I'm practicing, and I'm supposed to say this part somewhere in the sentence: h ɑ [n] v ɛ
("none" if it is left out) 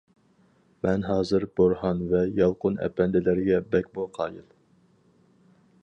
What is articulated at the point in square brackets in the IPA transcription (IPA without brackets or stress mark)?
n